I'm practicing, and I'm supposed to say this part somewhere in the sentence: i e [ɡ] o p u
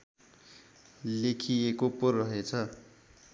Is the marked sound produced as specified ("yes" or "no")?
no